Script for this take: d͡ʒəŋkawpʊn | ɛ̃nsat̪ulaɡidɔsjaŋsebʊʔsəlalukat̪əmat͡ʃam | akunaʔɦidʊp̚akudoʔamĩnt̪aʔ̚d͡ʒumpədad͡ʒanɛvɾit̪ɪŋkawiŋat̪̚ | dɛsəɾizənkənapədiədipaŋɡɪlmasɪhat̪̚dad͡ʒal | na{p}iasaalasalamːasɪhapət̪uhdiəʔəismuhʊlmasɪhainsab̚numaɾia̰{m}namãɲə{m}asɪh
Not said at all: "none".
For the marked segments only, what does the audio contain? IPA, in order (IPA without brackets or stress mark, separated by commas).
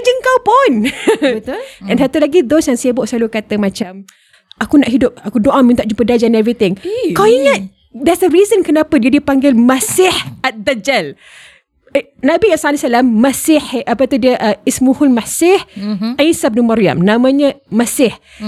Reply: b, m, m